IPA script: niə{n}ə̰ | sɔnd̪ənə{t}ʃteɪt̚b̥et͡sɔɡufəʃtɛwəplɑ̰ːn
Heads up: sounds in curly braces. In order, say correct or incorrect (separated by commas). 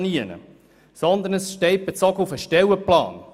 correct, incorrect